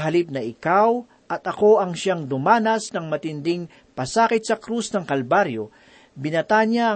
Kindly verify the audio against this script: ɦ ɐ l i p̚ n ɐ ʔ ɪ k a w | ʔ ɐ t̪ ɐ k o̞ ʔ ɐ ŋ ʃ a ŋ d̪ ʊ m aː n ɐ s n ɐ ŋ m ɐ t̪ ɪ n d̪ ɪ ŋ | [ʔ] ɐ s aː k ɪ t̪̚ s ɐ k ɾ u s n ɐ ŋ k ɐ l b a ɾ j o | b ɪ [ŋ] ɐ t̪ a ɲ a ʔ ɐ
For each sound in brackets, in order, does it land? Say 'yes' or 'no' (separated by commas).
no, no